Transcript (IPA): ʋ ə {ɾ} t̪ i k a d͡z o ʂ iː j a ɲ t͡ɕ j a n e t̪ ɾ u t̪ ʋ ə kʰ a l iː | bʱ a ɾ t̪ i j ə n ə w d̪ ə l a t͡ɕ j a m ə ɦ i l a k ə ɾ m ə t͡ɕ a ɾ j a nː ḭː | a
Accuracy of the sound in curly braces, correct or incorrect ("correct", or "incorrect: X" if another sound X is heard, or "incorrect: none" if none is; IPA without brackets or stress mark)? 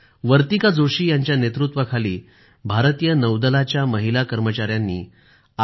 correct